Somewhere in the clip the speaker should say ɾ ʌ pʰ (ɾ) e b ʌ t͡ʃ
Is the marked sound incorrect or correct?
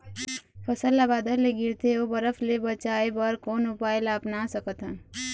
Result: incorrect